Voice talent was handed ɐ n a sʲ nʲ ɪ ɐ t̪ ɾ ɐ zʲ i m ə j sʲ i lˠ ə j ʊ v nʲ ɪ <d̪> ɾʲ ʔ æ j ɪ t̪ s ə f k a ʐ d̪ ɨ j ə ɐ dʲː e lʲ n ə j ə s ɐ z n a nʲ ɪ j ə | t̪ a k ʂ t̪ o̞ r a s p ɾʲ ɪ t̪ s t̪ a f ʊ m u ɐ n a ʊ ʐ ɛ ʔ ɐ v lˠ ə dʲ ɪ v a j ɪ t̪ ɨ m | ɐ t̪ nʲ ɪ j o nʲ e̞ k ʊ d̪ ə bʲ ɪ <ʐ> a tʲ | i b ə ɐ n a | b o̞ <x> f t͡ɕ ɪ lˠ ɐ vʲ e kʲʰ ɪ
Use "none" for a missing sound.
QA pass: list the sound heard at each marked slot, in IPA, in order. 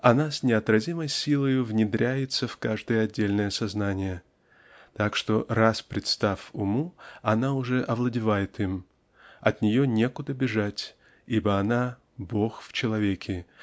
d̪, ʐ, x

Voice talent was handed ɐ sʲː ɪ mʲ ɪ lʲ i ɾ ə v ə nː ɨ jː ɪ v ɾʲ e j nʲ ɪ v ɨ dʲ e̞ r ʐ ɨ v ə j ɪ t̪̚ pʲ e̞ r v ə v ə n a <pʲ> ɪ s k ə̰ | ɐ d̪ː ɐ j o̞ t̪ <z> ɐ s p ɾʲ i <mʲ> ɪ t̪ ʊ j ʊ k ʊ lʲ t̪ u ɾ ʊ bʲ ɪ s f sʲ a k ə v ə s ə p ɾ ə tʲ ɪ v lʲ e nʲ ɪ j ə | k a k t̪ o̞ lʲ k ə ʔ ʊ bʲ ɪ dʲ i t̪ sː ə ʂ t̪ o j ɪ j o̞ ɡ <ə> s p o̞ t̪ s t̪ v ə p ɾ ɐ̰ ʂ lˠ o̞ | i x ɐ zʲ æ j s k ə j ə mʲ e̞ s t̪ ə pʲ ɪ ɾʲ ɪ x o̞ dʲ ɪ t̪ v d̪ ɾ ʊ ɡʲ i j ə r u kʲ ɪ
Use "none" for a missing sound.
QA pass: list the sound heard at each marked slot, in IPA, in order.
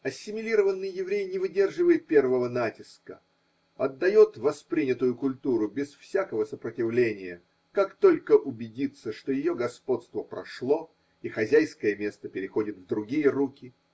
tʲ, v, nʲ, ɐ

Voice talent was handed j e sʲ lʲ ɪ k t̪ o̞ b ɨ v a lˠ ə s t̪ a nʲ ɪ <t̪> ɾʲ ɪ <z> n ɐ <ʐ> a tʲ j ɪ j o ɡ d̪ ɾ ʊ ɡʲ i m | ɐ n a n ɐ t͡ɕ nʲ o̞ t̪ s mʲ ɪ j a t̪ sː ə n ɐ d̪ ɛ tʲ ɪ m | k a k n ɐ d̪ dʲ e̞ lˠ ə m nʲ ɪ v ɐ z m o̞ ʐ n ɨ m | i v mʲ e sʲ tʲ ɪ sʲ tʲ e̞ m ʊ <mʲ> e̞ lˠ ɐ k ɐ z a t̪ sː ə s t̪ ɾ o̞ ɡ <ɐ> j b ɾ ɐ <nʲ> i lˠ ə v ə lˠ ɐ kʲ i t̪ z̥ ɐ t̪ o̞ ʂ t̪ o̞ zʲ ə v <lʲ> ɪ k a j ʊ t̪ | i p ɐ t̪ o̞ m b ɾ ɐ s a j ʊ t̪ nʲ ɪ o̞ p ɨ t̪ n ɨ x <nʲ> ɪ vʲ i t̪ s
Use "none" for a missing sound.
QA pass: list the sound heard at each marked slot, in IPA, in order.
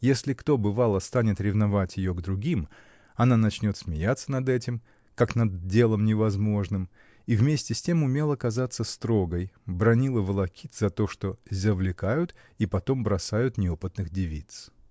t̪, v, v, mʲ, ə, nʲ, lʲ, dʲ

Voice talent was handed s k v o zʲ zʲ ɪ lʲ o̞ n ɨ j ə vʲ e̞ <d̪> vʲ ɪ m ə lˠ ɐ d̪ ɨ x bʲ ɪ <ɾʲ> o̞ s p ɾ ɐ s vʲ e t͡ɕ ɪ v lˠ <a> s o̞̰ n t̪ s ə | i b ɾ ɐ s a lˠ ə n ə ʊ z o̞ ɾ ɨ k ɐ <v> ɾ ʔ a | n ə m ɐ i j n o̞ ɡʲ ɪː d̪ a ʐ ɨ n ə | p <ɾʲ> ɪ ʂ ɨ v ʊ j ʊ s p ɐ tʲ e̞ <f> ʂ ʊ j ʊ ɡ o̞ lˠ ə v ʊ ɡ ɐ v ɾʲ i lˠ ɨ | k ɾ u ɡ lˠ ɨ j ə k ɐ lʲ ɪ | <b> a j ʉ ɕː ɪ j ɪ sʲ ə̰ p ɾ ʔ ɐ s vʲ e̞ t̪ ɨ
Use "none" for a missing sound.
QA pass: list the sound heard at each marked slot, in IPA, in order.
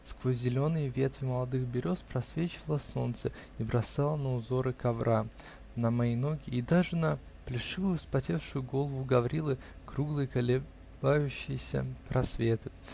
t̪, ɾʲ, ə, v, lʲ, f, b

